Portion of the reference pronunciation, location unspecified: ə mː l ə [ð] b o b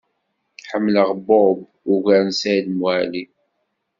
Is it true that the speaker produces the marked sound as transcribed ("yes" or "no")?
no